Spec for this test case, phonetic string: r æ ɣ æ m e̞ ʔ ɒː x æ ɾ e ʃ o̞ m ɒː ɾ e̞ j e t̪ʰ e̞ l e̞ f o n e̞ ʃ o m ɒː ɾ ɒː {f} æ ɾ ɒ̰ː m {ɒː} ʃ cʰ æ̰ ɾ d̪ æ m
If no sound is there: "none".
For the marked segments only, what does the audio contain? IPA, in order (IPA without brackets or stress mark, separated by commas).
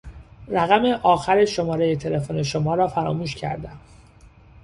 f, uː